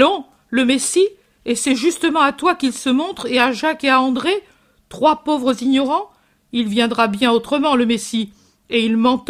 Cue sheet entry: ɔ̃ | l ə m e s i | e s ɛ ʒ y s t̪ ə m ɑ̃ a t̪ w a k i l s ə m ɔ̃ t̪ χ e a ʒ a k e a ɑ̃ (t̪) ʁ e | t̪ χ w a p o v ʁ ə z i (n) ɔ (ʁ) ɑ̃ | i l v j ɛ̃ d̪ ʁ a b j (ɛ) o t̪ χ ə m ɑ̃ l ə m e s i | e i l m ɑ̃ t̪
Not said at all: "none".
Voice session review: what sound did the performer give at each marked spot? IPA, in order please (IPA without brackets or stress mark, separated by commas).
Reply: d̪, ɲ, ʁ, ɛ̃